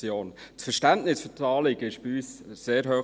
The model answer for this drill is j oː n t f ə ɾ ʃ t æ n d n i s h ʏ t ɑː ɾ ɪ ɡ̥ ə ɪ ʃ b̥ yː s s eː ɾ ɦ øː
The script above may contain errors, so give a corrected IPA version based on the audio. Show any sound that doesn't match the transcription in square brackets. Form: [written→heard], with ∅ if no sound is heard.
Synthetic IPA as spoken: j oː n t f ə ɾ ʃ t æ n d n [i→ɪ] s [h→f] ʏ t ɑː [ɾ→l] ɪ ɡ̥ ə ɪ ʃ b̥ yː s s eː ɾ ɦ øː